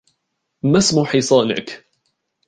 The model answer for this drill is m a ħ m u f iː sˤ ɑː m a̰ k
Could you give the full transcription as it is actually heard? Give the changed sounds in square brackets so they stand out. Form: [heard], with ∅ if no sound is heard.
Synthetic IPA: m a [s] m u [ħ] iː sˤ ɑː [n] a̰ k